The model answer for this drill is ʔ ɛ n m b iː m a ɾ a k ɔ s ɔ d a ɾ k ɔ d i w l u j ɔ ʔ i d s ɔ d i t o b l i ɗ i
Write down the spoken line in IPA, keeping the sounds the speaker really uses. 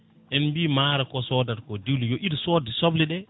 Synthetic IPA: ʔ ɛ n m b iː m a ɾ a k ɔ s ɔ d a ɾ k ɔ d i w l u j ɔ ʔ i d s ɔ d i s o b l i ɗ ɛ